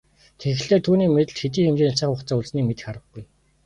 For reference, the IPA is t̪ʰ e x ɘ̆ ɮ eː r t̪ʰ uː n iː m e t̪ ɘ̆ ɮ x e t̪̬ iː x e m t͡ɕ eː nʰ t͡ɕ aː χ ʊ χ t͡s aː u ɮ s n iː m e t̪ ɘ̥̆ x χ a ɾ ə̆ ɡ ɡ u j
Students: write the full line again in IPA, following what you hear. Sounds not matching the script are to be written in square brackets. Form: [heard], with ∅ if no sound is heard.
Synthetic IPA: t̪ʰ e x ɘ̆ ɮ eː r t̪ʰ uː n iː m e t̪ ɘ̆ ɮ x e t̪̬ iː x e m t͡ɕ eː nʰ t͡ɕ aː χ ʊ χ t͡s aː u ɮ s n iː m e t̪ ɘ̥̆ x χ a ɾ ə̆ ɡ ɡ u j